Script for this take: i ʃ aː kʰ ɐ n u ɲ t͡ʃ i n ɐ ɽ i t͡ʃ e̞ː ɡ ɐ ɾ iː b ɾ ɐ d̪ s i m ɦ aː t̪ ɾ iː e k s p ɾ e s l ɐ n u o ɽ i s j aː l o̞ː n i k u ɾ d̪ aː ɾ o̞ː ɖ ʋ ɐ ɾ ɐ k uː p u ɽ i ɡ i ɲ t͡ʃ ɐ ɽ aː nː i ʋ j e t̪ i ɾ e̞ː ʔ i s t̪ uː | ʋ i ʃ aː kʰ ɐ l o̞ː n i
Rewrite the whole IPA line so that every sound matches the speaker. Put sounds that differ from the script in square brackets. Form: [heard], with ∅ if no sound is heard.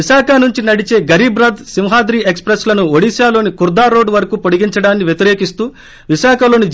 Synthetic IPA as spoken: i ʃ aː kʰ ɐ n u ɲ t͡ʃ i n ɐ ɽ i t͡ʃ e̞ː ɡ ɐ ɾ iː b ɾ ɐ d̪ s i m ɦ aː [d̪] ɾ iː e k s p ɾ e s l ɐ n u o ɽ i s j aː l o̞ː n i k u ɾ d̪ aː ɾ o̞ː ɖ ʋ ɐ ɾ ɐ k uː p [o] ɽ i ɡ i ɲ t͡ʃ ɐ ɽ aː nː i ʋ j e t̪ i ɾ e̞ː [k] i s t̪ uː | ʋ i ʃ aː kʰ ɐ l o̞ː n i

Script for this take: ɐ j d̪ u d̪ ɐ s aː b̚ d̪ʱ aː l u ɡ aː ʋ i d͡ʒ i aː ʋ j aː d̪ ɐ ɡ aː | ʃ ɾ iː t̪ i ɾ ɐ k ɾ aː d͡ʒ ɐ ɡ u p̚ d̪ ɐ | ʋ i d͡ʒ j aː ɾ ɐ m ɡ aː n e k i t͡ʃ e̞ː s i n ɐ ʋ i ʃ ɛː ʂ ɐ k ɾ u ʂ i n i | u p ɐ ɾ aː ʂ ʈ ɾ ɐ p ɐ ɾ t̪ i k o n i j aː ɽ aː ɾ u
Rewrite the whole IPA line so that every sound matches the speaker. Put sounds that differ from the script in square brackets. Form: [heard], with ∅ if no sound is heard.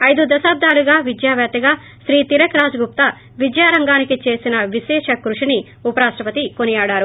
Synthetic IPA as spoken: ɐ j d̪ u d̪ ɐ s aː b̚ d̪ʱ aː l u ɡ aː ʋ i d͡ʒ [j] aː ʋ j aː [t̪] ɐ ɡ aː | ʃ ɾ iː t̪ i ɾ ɐ k ɾ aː d͡ʒ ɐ ɡ u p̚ [t̪] ɐ | ʋ i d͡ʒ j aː ɾ ɐ [ŋ] ɡ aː n [i] k i t͡ʃ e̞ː s i n ɐ ʋ i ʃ ɛː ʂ ɐ k ɾ u ʂ i n i | u p ɐ ɾ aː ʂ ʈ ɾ ɐ p ɐ [∅] t̪ i k o n i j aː ɽ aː ɾ u

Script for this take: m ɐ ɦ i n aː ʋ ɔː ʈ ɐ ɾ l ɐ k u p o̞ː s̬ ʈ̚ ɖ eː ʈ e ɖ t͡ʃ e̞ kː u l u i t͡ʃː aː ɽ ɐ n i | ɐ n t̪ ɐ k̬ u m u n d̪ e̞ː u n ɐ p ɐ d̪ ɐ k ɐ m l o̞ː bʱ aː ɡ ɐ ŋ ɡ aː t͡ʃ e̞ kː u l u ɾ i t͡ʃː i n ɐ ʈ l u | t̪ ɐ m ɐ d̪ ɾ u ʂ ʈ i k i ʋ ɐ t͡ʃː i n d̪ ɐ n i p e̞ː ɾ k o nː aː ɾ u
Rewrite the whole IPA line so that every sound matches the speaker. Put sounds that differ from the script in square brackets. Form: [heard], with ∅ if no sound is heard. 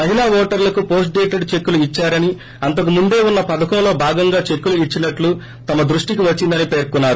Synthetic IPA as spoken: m ɐ ɦ i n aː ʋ ɔː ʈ ɐ ɾ l ɐ k u p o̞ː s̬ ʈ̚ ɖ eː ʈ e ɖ t͡ʃ e̞ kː u l u i t͡ʃː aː [ɾ] ɐ n i | ɐ n t̪ ɐ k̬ u m u n d̪ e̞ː u [nː] ɐ p ɐ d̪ ɐ k ɐ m l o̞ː bʱ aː ɡ ɐ ŋ ɡ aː t͡ʃ e̞ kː u l u [∅] i t͡ʃː i n ɐ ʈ l u | t̪ ɐ m ɐ d̪ ɾ u ʂ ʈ i k i ʋ ɐ t͡ʃː i n d̪ ɐ n i p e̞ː ɾ k [u] nː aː ɾ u

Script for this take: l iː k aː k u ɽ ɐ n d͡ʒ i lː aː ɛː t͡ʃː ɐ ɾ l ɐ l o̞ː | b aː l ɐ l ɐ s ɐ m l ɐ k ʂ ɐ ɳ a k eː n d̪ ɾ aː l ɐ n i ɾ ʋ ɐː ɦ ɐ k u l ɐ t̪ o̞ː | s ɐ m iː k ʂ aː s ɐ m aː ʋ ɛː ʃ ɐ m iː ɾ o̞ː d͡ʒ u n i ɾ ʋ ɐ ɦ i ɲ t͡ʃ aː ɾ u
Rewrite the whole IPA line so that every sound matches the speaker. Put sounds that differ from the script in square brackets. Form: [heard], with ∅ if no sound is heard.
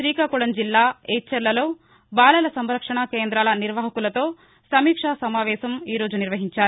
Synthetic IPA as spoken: [ɾ] iː k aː k u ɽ ɐ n d͡ʒ i lː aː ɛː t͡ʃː ɐ ɾ l ɐ l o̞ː | b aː l ɐ l ɐ s ɐ m [ɾ] ɐ k ʂ ɐ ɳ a k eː n d̪ ɾ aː l ɐ n i ɾ ʋ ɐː ɦ ɐ k u l ɐ t̪ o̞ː | s ɐ m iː k ʂ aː s ɐ m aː ʋ ɛː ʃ ɐ m iː ɾ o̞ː d͡ʒ u n i ɾ ʋ ɐ ɦ i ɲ t͡ʃ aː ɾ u

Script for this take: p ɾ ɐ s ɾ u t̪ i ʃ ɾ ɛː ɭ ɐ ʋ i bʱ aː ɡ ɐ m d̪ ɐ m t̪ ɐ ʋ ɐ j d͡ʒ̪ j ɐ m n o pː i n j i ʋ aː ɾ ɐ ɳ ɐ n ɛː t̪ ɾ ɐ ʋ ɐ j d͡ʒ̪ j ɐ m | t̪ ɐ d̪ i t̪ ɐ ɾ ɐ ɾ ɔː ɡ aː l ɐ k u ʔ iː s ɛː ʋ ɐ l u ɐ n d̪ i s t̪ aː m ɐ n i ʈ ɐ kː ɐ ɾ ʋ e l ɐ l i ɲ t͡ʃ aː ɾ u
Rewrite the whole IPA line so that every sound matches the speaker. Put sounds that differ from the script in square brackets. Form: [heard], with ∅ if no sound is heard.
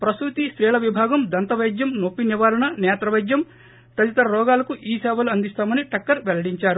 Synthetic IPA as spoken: p ɾ ɐ s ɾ u t̪ i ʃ ɾ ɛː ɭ ɐ ʋ i bʱ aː ɡ ɐ m d̪ ɐ [n] t̪ ɐ ʋ ɐ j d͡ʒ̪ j ɐ m n o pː i n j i ʋ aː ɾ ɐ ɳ ɐ n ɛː t̪ ɾ ɐ ʋ ɐ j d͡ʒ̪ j ɐ m | t̪ ɐ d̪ i t̪ ɐ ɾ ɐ ɾ ɔː ɡ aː l ɐ k u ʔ iː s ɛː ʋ ɐ l u ɐ n d̪ i s t̪ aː m ɐ n i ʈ ɐ kː ɐ ɾ ʋ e l ɐ [ɽ] i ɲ t͡ʃ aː ɾ u

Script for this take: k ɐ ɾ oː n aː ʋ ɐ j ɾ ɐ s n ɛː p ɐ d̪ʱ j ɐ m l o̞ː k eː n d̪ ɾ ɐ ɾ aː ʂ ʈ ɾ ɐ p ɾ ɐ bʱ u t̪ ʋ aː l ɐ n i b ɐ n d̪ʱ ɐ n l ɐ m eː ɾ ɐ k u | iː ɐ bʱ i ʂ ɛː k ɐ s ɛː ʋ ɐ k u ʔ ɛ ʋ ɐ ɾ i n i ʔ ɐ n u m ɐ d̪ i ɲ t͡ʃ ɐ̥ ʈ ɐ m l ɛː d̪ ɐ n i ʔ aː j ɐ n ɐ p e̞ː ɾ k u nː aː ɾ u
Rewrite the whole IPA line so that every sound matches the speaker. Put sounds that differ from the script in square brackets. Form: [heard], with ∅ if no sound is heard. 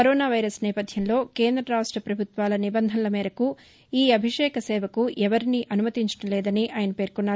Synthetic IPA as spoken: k ɐ ɾ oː n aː ʋ ɐ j ɾ ɐ s n ɛː p ɐ d̪ʱ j ɐ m l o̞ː k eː n d̪ ɾ ɐ ɾ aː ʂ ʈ ɾ ɐ p ɾ ɐ bʱ u t̪ ʋ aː l ɐ n i b ɐ n d̪ʱ ɐ n l ɐ m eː ɾ ɐ k u | iː ɐ bʱ i ʂ ɛː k ɐ s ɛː ʋ ɐ k u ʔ ɛ ʋ ɐ ɾ i n i ʔ ɐ n u m ɐ [t̪] i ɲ t͡ʃ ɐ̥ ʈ ɐ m l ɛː d̪ ɐ n i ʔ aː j ɐ n ɐ p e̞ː ɾ k u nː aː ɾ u

